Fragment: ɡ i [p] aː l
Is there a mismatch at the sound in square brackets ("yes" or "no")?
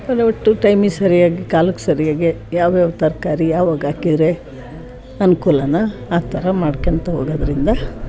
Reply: yes